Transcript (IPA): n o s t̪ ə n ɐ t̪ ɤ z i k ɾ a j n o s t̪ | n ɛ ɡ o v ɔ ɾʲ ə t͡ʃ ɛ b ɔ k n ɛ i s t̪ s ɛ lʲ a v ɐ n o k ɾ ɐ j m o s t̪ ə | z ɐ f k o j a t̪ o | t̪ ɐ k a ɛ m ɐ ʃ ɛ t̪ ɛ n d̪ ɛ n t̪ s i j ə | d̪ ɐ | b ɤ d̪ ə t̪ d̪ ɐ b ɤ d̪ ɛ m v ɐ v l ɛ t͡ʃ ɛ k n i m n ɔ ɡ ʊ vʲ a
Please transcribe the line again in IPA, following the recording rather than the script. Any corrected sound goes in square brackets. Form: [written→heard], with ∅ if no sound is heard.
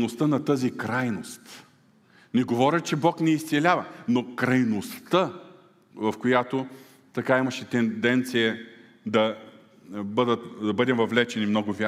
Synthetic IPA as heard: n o s t̪ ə n ɐ t̪ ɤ z i k ɾ a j n o s t̪ | n ɛ ɡ o v ɔ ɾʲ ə t͡ʃ ɛ b ɔ k n ɛ i s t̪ s ɛ lʲ a v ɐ n o k ɾ ɐ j [m→n] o s t̪ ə | [z→v] ɐ f k o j a t̪ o | t̪ ɐ k a [ɛ→i] m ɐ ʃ ɛ t̪ ɛ n d̪ ɛ n t̪ s i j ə | d̪ ɐ | b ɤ d̪ ə t̪ d̪ ɐ b ɤ d̪ ɛ m v ɐ v l ɛ t͡ʃ ɛ [k→∅] n i m n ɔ ɡ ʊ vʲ a